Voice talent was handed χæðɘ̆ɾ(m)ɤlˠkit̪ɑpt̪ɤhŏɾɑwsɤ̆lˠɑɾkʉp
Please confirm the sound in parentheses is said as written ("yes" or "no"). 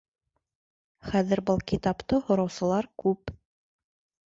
no